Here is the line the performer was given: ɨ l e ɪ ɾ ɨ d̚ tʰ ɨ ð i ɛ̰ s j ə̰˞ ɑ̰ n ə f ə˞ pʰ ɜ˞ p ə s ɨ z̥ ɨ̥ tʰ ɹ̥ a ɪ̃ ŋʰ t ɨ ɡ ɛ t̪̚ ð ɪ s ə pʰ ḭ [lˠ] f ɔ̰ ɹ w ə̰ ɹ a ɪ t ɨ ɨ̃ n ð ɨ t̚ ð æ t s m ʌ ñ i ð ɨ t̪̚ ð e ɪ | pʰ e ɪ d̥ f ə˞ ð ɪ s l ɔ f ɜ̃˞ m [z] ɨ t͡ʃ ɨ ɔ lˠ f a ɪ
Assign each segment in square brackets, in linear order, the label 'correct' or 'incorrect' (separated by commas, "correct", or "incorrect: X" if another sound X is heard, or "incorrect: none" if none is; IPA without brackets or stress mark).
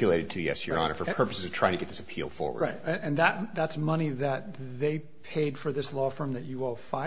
correct, incorrect: ð